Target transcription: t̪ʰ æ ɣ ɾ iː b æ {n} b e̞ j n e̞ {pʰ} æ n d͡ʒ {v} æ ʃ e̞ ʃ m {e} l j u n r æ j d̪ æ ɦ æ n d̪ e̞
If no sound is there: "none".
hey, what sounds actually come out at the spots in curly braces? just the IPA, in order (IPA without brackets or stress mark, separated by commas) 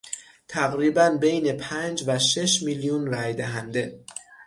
n, pʰ, v, i